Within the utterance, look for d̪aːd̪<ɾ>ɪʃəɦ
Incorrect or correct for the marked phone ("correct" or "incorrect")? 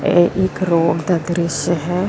correct